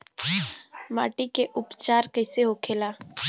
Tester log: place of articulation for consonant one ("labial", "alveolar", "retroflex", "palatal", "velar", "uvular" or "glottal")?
labial